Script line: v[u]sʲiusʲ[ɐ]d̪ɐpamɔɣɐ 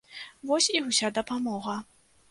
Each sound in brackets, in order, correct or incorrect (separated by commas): incorrect, incorrect